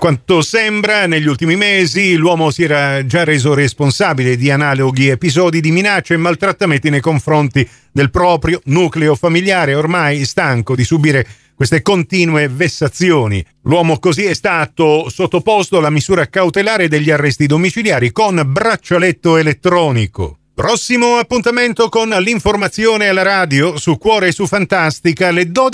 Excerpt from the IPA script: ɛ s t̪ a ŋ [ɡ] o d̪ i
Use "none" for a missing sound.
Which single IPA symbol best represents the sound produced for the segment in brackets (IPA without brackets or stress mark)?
k